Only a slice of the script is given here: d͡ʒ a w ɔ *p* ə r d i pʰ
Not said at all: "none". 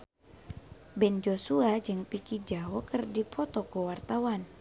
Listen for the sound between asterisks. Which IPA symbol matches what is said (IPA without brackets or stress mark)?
k